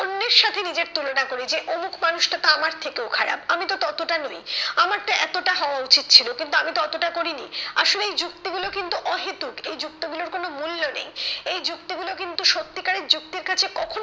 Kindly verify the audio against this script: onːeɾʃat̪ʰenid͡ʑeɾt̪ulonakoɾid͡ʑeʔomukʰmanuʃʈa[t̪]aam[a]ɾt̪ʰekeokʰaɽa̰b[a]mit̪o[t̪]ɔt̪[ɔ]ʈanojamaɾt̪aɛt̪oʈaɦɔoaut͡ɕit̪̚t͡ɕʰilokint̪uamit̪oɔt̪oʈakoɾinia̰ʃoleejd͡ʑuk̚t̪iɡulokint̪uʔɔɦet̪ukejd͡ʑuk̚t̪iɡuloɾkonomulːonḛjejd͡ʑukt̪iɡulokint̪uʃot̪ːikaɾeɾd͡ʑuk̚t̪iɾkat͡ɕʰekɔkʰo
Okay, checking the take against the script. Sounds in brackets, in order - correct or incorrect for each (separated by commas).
correct, correct, correct, correct, incorrect